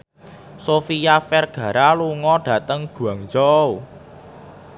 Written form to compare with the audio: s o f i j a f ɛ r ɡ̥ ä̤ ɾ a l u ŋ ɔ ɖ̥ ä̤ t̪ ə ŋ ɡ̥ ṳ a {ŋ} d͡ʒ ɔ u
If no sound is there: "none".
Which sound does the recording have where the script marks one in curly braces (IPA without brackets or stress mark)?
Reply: ŋ